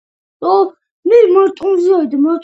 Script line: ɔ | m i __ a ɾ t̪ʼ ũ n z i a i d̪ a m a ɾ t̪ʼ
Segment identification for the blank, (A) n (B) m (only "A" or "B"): B